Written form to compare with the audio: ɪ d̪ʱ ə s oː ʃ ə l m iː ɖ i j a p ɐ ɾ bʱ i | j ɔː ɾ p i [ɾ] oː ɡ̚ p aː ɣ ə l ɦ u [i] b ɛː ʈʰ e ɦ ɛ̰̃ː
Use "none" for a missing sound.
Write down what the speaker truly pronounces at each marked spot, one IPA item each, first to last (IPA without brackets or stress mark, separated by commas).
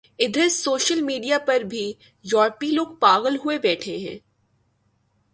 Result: l, e